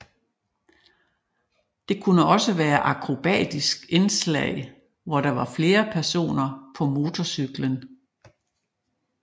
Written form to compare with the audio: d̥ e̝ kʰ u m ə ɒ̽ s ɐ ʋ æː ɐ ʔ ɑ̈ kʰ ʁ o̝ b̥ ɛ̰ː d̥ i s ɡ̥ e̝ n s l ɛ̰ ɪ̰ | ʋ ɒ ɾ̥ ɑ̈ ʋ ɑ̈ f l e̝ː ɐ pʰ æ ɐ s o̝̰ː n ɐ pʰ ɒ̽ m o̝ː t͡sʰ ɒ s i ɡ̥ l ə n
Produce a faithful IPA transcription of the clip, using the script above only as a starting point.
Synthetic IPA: d̥ e̝ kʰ u n ə ɒ̽ s ə ʋ æː ɐ ʔ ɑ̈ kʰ ʁ o̝ b̥ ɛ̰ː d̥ i s ɡ̥ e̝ n s l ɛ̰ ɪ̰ | ʋ ɒ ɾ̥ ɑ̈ ʋ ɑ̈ f l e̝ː ɐ pʰ æ ɐ s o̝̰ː n ɐ pʰ ɒ̽ m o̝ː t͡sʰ ɒ s y ɡ̥ l ə n